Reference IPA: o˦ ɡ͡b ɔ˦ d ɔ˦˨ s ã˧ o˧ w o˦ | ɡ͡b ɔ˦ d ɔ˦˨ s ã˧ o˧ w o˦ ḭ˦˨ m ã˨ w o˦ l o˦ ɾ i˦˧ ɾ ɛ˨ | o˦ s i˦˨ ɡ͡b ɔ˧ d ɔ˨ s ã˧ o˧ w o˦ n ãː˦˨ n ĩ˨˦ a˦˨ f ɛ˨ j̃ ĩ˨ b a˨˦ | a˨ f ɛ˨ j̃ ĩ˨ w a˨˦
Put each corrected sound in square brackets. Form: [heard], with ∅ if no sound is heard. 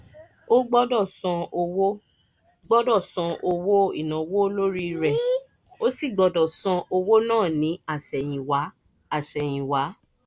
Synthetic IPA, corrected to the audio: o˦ ɡ͡b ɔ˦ d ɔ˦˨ s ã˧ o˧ w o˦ | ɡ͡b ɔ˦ d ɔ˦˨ s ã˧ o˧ w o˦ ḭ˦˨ [n] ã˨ w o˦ l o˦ ɾ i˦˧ ɾ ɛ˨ | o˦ s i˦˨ ɡ͡b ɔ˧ d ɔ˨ s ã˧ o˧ w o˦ n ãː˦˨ n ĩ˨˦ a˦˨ [ʃ] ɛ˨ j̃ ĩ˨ [w] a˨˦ | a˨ [ʃ] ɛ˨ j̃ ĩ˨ w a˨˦